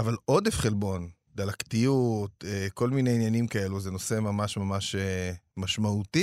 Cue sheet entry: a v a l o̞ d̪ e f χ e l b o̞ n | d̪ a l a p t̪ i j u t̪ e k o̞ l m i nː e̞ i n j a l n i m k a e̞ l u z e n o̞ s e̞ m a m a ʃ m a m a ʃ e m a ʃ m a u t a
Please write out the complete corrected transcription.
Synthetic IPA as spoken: a v a l o̞ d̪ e f χ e l b o̞ n | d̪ a l a k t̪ i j u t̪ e k o̞ l m i n e̞ i n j a n i m k a e̞ l u z e n o̞ s e̞ m a m a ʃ m a m a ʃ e m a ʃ m a u t i